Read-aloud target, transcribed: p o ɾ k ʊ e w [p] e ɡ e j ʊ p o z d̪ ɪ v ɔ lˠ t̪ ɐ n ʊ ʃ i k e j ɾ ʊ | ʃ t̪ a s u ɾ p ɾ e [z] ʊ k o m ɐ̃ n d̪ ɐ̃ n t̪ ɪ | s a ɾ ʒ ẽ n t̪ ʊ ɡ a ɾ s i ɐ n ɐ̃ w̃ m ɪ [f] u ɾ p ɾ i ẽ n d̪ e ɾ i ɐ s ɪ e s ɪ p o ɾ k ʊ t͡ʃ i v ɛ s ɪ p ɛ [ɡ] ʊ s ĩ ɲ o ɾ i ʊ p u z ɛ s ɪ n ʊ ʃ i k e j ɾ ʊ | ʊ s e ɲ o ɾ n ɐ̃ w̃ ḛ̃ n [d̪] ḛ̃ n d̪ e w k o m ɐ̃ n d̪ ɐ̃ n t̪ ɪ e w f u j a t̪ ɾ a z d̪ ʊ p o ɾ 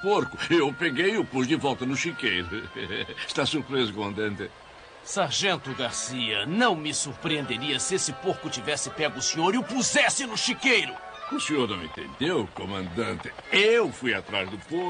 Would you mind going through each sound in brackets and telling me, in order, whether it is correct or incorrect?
correct, correct, incorrect, correct, incorrect

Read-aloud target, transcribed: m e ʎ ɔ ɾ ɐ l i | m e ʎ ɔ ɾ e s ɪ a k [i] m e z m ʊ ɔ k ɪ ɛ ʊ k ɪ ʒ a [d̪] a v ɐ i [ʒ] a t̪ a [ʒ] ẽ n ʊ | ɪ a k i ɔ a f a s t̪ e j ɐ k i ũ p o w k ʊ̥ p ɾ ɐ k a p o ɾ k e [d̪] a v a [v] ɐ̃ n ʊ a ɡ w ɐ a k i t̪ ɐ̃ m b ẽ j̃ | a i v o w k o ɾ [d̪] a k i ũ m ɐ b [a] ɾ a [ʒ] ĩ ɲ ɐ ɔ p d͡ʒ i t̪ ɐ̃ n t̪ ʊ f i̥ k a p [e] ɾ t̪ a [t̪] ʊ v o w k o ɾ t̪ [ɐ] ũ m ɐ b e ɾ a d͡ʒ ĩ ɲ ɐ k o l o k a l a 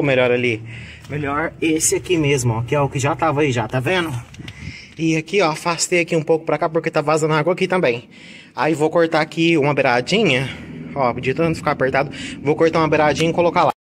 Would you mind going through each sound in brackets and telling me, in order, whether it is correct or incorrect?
correct, incorrect, correct, incorrect, incorrect, incorrect, incorrect, incorrect, incorrect, correct, incorrect, incorrect

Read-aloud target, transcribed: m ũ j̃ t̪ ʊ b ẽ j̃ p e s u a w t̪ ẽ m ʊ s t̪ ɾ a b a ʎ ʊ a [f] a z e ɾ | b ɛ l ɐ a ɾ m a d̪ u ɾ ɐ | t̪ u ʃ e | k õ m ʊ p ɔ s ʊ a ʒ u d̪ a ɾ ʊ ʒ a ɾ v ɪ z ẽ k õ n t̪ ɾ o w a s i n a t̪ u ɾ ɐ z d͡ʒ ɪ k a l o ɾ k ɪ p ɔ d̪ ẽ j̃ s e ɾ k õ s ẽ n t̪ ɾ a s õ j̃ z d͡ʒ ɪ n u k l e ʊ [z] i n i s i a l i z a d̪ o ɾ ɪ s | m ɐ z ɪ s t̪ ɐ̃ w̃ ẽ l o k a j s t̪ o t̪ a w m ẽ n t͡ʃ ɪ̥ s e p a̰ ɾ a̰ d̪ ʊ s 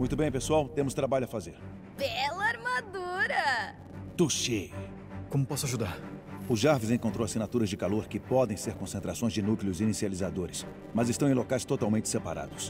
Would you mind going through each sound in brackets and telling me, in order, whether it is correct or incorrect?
correct, correct

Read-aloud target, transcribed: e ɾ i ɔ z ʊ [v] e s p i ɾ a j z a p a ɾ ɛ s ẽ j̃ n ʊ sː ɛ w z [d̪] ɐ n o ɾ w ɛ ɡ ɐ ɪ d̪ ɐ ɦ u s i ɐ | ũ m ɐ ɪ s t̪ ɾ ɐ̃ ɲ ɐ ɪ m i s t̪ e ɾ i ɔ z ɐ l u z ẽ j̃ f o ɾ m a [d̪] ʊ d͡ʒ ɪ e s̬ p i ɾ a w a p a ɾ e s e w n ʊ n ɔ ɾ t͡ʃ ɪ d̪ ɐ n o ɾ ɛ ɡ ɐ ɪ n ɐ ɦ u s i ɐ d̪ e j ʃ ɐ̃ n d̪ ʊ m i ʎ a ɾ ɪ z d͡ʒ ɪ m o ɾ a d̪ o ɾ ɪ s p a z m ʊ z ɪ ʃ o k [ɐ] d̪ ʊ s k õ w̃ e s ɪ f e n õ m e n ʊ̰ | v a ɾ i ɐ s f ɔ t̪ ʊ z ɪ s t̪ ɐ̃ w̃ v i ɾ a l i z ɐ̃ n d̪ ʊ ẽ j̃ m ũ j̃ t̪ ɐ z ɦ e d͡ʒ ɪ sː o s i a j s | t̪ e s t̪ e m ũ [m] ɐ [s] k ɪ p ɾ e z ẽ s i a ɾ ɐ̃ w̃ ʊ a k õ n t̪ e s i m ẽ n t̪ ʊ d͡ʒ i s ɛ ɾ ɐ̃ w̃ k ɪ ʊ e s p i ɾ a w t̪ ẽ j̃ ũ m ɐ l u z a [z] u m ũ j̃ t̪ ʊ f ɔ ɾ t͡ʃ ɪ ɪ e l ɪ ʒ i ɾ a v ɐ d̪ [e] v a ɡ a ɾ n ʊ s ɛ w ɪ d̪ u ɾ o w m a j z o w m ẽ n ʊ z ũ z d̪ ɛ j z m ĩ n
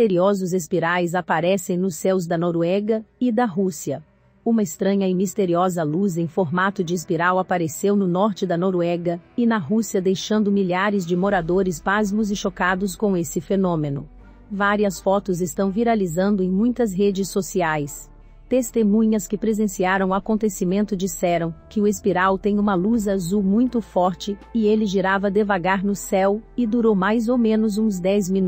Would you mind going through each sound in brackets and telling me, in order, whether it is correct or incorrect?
incorrect, correct, incorrect, incorrect, incorrect, correct, correct, correct

